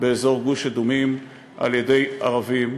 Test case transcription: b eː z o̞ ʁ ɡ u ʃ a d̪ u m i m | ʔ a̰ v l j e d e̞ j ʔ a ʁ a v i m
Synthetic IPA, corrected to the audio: b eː z o̞ ʁ ɡ u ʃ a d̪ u m i m | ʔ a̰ l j e d e̞ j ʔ a ʁ a v i m